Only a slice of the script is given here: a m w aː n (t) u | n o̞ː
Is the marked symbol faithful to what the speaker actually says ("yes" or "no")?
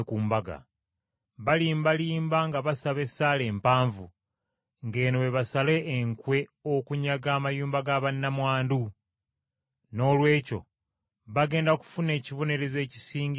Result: no